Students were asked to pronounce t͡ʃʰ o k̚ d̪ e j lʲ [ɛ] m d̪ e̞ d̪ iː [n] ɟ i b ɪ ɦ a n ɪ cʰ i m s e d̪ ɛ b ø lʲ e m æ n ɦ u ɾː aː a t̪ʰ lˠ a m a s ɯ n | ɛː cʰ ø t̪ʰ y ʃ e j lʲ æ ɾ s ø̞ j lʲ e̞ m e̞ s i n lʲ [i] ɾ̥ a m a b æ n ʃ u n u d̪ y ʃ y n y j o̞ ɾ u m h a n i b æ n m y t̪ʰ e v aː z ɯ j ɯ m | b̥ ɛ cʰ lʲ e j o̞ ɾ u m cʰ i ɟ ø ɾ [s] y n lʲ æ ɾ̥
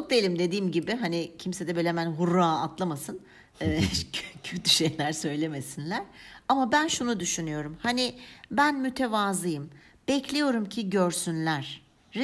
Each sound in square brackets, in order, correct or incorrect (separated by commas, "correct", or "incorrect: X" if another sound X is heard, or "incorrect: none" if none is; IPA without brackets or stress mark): incorrect: i, incorrect: m, incorrect: æ, correct